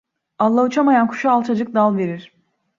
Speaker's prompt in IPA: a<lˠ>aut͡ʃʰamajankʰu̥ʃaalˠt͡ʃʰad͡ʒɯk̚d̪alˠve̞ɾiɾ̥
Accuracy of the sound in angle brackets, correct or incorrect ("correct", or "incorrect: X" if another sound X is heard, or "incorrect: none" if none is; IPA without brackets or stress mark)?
incorrect: lˠː